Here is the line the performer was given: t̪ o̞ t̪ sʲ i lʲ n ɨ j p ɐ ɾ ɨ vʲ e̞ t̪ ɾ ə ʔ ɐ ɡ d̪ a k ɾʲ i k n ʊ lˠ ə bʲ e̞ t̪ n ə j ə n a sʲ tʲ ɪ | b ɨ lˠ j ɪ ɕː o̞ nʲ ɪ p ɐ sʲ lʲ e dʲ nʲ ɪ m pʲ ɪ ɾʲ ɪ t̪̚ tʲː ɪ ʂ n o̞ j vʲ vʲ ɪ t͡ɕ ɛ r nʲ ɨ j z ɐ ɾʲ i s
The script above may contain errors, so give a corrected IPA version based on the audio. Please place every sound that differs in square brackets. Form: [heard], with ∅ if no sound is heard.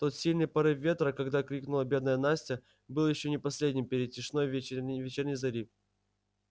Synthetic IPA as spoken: t̪ o̞ t̪ sʲ i lʲ n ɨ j p ɐ ɾ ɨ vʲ e̞ t̪ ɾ ə [k] ɐ ɡ d̪ a k ɾʲ i k n ʊ lˠ ə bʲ e̞ [d̪] n ə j ə n a sʲ tʲ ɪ | b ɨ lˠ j ɪ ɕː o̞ nʲ ɪ p ɐ sʲ lʲ e dʲ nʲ ɪ m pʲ ɪ ɾʲ ɪ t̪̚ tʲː ɪ ʂ n o̞ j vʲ vʲ ɪ t͡ɕ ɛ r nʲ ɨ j z ɐ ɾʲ i [f]